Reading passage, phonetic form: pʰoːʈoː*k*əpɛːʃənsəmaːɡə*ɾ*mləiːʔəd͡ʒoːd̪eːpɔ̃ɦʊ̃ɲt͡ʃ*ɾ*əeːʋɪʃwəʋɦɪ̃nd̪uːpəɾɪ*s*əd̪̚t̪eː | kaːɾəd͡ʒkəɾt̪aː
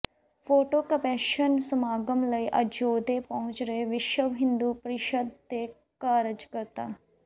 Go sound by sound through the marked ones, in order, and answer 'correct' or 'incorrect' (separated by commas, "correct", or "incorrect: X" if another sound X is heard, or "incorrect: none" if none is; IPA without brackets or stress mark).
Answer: correct, incorrect: none, correct, incorrect: ʃ